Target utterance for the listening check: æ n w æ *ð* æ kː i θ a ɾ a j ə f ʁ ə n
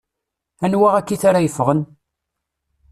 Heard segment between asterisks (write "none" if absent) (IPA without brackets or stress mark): ʁ